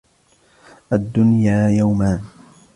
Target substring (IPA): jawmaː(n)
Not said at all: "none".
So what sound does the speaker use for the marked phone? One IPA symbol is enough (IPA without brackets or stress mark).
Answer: n